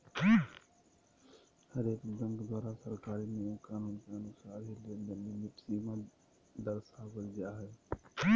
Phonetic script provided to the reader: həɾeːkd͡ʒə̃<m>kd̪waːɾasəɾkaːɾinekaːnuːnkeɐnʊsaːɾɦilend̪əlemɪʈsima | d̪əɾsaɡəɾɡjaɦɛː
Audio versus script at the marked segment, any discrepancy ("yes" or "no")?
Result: yes